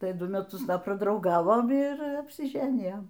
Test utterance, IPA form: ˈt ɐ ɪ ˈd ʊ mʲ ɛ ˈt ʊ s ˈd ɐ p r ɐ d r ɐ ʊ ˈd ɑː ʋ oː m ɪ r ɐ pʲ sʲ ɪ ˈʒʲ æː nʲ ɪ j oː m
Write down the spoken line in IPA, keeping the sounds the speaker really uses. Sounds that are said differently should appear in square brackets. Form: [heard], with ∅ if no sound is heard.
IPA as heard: ˈt ɐ ɪ ˈd ʊ mʲ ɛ ˈt ʊ s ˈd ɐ p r ɐ d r ɐ ʊ [ˈɡ] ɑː ʋ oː m ɪ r ɐ pʲ sʲ ɪ ˈʒʲ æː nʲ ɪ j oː m